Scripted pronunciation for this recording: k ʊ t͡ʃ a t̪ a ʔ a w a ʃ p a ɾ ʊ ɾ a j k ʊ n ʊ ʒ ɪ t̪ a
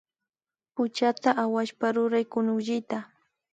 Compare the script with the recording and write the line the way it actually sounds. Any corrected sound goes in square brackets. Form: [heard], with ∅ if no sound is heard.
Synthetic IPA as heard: [p] ʊ t͡ʃ a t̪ a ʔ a w a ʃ p a ɾ ʊ ɾ a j k ʊ n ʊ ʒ ɪ t̪ a